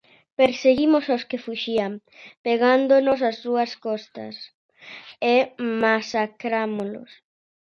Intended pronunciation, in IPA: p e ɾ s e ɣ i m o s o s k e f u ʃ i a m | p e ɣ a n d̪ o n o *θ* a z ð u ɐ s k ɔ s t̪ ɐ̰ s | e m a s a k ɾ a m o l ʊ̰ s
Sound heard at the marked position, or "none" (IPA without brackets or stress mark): s